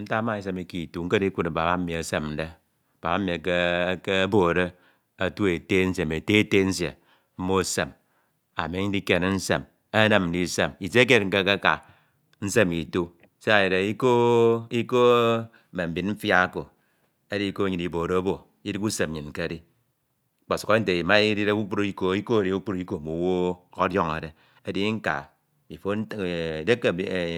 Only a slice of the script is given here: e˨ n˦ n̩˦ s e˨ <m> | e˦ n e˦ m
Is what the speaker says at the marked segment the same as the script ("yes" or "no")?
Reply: yes